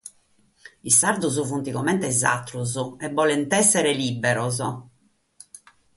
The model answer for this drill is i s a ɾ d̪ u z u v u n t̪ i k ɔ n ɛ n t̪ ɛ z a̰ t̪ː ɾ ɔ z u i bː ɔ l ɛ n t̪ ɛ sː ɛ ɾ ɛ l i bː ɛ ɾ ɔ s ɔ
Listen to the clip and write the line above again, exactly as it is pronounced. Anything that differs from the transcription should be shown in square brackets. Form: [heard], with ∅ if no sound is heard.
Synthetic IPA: i s a ɾ d̪ u z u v u n t̪ i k ɔ [m] ɛ n t̪ ɛ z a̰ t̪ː ɾ [u] z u [ɛ] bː ɔ l ɛ n t̪ ɛ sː ɛ ɾ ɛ l i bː ɛ ɾ ɔ [z] ɔ